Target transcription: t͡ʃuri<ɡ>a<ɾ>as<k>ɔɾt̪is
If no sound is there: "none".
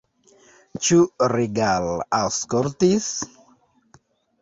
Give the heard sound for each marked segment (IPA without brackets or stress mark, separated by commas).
ɡ, l, k